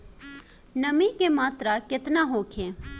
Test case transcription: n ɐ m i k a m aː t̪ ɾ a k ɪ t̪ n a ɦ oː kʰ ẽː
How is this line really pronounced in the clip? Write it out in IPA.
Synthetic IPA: n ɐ m i k e m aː t̪ ɾ a k ɪ t̪ n a ɦ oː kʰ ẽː